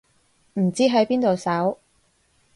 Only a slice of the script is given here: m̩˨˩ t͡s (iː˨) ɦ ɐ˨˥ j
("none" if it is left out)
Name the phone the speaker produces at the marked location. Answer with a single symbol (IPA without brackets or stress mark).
iː˥